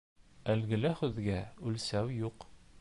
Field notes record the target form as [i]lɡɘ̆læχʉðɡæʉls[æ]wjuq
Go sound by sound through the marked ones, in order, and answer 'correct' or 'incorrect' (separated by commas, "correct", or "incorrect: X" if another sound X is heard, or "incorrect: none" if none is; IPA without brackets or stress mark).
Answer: incorrect: æ, correct